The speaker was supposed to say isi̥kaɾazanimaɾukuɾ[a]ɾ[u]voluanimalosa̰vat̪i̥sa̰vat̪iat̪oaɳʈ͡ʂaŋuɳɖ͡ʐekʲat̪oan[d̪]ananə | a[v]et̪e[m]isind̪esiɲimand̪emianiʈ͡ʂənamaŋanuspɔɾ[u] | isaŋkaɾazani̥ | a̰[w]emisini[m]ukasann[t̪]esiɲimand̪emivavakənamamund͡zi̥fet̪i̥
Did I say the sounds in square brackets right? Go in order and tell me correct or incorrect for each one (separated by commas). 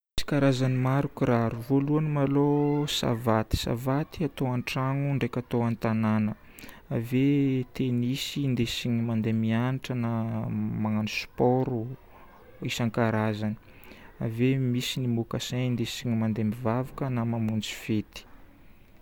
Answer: correct, correct, incorrect, correct, incorrect, correct, incorrect, correct, incorrect